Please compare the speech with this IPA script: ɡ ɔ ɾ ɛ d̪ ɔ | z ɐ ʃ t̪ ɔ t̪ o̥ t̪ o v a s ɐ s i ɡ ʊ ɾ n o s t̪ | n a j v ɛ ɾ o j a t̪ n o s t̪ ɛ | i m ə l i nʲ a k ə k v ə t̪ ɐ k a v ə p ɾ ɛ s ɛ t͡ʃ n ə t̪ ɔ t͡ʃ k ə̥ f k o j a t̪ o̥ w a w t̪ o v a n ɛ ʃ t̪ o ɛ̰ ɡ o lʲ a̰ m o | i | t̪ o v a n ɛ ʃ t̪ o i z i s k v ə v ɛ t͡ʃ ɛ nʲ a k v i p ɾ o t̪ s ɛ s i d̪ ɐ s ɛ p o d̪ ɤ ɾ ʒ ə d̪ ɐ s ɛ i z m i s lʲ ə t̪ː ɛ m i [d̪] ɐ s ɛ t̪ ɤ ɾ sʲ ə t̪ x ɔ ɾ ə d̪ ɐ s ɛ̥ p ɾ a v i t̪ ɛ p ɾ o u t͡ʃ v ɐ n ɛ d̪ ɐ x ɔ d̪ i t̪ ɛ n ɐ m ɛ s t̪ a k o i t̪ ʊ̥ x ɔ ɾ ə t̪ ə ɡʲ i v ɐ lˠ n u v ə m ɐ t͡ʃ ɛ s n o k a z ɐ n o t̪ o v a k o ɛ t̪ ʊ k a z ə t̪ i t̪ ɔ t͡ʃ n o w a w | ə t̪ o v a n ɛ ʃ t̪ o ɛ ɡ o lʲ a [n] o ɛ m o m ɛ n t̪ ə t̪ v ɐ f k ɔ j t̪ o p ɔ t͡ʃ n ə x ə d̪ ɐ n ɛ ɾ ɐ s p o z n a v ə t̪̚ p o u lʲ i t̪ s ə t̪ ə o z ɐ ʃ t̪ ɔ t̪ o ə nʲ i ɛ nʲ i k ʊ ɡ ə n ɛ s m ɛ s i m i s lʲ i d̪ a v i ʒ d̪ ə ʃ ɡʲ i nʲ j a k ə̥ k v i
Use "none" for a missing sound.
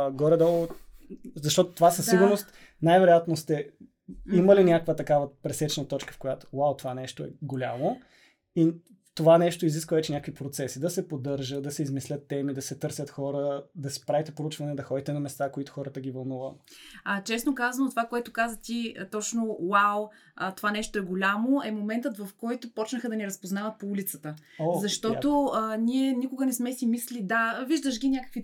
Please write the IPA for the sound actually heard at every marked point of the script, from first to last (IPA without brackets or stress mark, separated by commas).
d̪, m